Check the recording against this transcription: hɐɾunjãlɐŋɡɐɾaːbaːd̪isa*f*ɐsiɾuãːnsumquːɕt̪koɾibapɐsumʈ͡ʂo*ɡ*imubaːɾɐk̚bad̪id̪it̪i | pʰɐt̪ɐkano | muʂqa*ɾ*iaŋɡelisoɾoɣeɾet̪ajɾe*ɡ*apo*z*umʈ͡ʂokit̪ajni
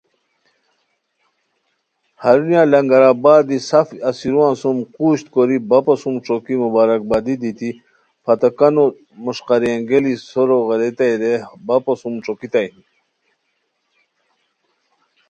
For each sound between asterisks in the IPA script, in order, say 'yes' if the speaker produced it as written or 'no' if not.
yes, no, yes, no, no

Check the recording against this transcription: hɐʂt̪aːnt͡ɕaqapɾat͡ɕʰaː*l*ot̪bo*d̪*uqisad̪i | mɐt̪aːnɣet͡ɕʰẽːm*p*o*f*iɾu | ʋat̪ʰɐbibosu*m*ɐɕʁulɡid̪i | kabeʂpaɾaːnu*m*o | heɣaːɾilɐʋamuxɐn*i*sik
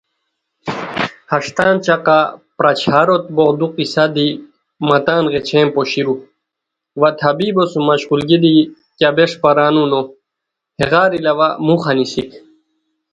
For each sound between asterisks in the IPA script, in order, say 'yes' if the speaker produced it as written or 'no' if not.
no, yes, yes, no, yes, no, yes

